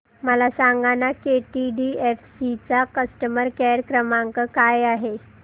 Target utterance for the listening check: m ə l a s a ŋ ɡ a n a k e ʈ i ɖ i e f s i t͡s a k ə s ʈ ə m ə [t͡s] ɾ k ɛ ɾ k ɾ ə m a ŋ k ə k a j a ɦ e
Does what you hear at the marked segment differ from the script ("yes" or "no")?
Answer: yes